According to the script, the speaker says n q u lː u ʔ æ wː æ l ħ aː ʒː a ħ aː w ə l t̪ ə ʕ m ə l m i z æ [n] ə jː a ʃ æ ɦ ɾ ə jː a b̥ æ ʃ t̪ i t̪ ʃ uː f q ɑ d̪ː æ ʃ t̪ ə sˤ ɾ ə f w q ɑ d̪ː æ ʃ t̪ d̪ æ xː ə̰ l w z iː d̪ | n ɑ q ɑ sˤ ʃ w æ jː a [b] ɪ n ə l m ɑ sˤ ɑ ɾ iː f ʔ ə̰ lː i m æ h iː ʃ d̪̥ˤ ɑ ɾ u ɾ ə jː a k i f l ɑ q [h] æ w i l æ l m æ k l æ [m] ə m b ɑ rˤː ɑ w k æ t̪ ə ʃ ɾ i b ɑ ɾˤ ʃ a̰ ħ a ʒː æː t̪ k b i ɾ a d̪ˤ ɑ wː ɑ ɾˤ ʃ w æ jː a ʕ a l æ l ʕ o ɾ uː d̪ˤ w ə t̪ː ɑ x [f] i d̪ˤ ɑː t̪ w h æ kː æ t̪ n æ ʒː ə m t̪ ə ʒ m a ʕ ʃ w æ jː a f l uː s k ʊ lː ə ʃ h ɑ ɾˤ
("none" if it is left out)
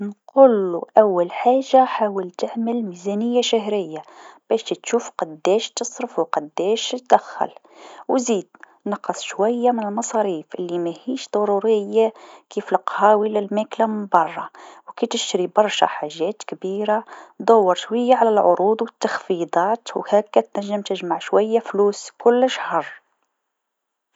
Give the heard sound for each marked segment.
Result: n, m, h, m, f

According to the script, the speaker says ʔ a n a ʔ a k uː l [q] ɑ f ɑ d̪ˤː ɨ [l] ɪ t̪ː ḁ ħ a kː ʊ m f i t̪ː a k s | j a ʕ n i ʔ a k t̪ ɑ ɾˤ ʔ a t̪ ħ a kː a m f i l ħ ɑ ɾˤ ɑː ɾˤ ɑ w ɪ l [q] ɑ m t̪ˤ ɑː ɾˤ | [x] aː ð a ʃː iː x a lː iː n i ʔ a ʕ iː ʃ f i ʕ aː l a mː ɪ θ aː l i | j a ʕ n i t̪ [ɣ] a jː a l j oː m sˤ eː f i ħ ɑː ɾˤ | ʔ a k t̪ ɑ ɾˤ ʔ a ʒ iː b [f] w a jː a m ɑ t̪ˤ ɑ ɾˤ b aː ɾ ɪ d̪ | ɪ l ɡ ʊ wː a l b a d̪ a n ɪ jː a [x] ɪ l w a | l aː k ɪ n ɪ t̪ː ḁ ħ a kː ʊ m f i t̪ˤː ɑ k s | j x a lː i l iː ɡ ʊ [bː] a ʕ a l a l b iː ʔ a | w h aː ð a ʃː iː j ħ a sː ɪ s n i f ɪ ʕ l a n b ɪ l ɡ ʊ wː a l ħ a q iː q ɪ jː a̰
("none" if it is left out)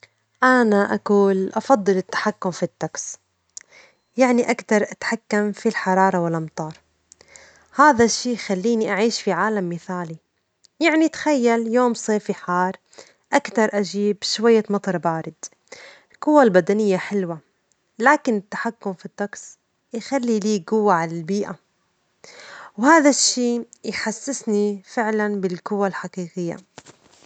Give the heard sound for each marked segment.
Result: ʔ, l, ʔ, h, x, ʃ, ħ, wː

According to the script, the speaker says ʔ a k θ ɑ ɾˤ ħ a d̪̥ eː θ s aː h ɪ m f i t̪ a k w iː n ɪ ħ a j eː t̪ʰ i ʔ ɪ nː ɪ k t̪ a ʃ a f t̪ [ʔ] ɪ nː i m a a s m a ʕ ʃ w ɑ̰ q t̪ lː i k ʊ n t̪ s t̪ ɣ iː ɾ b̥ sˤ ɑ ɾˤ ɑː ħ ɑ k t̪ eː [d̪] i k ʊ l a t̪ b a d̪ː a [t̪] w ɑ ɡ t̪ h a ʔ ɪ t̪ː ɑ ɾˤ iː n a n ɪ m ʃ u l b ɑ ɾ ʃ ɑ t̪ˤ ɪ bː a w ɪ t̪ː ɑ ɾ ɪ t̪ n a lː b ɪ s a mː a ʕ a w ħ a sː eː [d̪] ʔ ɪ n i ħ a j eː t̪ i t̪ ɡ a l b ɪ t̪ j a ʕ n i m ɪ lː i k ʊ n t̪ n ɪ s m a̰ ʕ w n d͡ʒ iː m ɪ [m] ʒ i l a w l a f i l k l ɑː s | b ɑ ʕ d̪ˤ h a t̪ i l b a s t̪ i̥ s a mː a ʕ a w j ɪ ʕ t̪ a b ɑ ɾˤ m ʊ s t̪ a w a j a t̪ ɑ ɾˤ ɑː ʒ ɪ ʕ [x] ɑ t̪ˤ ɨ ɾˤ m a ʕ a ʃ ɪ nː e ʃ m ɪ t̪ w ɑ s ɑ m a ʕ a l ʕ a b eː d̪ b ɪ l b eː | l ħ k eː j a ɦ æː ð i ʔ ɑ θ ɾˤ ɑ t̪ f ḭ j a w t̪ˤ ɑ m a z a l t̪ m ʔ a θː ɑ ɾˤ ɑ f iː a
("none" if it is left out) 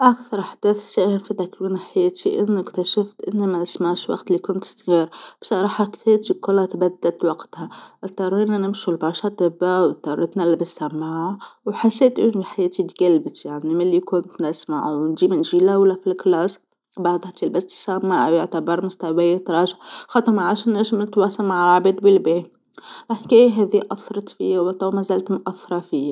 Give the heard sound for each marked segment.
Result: ʔ, t̪, t̪, t̪, n, x

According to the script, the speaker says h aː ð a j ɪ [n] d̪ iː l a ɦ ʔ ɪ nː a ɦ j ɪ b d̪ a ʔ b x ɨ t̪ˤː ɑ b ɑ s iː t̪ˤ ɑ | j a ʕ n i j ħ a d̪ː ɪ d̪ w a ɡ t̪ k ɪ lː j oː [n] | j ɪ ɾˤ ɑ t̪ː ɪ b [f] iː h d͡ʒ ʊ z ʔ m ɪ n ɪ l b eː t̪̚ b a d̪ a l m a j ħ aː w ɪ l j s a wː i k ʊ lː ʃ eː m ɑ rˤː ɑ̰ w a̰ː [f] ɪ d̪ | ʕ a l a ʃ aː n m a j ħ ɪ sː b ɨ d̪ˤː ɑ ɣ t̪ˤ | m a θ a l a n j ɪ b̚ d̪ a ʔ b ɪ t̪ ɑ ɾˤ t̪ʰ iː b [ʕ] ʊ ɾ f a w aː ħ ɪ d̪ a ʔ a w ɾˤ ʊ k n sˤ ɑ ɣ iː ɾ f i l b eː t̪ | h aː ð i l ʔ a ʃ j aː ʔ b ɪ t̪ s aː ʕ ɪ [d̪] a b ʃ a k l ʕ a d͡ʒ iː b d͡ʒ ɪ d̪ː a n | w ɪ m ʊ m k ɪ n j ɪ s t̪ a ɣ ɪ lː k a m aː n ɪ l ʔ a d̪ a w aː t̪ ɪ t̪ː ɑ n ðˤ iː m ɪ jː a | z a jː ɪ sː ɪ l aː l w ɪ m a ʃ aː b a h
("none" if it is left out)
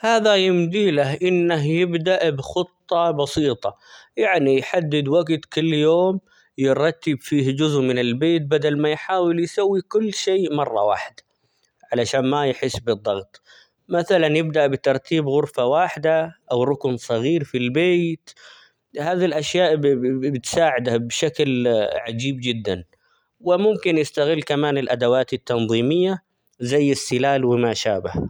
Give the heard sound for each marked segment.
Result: m, m, f, ħ, ɣ, d̪

